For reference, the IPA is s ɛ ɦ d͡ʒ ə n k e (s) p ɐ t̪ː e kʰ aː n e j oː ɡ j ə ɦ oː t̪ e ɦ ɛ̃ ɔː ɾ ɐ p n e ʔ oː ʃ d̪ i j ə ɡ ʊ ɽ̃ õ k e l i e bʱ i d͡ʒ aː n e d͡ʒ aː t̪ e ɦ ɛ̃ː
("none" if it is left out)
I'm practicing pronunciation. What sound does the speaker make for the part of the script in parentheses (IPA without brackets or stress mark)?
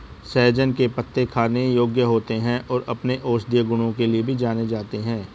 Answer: none